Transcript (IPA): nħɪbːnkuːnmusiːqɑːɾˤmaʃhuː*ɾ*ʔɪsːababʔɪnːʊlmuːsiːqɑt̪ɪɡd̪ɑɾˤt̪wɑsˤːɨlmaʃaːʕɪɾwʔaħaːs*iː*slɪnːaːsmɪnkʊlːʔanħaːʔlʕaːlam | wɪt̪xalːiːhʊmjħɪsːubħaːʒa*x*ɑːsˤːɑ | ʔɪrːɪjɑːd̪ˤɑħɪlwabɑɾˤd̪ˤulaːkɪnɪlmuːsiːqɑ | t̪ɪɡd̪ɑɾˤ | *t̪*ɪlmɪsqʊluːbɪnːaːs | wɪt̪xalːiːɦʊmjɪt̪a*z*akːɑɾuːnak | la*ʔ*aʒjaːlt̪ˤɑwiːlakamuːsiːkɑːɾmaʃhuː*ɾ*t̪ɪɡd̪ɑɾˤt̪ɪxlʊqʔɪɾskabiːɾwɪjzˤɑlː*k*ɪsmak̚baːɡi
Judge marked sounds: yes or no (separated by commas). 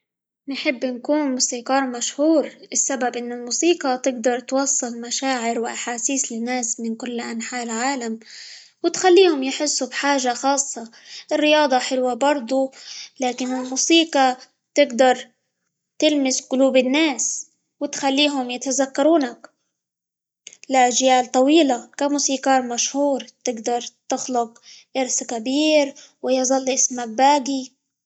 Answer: yes, yes, yes, yes, yes, yes, yes, no